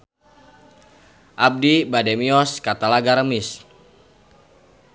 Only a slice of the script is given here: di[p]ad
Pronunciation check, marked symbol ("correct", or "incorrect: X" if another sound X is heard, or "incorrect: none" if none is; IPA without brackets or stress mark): incorrect: b